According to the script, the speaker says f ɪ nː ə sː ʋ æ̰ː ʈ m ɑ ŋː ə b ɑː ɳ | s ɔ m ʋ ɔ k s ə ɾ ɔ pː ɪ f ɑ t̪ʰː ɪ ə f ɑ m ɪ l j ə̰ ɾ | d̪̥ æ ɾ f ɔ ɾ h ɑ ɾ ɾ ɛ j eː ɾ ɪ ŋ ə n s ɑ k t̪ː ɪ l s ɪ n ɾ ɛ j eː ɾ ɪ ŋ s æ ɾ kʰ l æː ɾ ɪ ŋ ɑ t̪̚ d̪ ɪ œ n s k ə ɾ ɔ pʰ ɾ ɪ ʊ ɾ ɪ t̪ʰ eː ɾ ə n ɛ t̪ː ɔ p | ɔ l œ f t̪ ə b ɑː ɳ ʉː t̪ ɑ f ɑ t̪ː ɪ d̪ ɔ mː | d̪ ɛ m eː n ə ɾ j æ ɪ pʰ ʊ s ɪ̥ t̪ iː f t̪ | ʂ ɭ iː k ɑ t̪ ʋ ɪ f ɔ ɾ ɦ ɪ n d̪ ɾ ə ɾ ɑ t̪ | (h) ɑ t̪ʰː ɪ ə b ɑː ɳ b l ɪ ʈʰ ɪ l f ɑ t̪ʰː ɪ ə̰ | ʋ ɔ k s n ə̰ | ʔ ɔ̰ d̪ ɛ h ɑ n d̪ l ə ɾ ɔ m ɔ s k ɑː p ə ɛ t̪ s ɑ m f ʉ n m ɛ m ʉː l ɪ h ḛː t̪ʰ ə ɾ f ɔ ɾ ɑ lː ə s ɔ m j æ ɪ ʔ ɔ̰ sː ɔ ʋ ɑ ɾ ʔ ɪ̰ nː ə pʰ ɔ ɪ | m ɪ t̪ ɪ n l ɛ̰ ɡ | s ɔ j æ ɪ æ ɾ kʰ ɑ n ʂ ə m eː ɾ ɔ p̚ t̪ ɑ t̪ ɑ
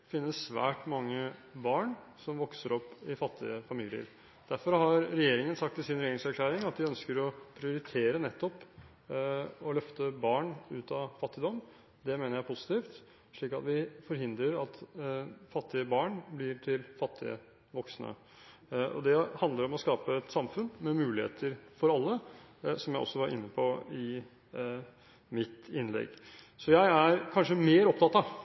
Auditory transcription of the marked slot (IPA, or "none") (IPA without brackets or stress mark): f